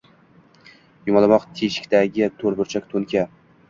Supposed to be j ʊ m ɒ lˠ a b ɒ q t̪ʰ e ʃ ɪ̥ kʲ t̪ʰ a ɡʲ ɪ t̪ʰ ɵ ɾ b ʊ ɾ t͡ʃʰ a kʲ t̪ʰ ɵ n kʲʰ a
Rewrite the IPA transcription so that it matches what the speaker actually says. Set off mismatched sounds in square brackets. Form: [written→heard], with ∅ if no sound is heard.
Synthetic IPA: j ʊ m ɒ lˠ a [b→m] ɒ q t̪ʰ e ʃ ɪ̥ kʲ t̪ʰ a ɡʲ ɪ t̪ʰ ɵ ɾ b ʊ ɾ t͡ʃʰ a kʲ t̪ʰ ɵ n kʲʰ a